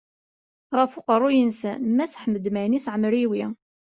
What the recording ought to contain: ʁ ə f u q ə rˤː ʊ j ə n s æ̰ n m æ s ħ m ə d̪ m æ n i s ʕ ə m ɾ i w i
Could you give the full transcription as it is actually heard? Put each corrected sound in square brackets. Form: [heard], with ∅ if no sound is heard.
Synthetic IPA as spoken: ʁ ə f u q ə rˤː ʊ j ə n s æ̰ n m æ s ħ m ə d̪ m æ n i s ʕ ə m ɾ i w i

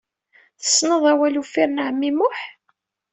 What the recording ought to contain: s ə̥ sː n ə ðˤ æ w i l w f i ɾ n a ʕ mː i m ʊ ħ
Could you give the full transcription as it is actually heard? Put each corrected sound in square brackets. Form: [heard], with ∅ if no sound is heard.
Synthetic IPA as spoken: [θ] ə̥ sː n ə ðˤ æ w [æ] l [u] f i ɾ n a ʕ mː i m ʊ ħ

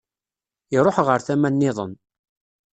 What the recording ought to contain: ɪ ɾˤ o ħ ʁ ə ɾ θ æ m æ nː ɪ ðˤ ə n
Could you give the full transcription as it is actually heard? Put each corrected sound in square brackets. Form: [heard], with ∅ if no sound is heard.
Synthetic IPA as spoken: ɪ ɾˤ o ħ ʁ ə ɾ θ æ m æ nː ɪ ðˤ ə n

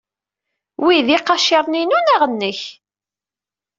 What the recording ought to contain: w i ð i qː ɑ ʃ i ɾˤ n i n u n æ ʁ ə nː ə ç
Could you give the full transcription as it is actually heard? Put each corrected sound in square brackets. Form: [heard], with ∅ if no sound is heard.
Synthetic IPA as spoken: w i ð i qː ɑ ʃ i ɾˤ n i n u n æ ʁ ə nː ə ç

